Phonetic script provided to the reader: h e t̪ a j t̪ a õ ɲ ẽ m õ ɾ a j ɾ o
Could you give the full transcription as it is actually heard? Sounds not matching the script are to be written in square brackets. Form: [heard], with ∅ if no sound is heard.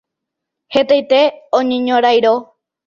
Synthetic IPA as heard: h e t̪ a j t̪ [e] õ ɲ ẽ [ɲ] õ ɾ a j ɾ o